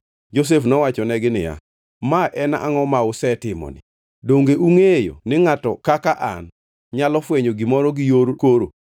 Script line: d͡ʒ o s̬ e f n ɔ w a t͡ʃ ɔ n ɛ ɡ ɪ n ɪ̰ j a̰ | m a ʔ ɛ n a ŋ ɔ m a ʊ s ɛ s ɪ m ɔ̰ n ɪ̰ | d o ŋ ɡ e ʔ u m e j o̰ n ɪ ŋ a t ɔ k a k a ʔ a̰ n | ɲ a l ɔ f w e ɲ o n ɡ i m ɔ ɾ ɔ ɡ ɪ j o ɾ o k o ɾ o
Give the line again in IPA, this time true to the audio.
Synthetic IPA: d͡ʒ o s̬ e f n ɔ w a t͡ʃ ɔ n ɛ ɡ ɪ n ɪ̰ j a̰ | m a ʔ ɛ n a ŋ ɔ m a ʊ s ɛ t ɪ m ɔ̰ n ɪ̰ | d o ŋ ɡ e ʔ u ŋ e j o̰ n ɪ ŋ a t ɔ k a k a ʔ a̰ n | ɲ a l ɔ f w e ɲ o ɡ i m ɔ ɾ ɔ ɡ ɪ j o ɾ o k o ɾ o